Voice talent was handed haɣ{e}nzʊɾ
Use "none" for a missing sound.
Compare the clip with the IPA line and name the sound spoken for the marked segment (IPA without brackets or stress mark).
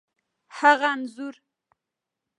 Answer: a